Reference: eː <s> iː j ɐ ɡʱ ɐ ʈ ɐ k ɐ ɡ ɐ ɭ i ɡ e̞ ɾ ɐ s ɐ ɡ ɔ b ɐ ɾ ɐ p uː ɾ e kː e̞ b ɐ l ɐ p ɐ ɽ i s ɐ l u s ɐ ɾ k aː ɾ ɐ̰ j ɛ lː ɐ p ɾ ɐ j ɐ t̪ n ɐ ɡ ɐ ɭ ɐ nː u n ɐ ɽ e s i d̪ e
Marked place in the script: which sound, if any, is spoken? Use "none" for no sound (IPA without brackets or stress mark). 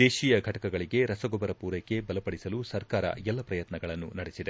ʃ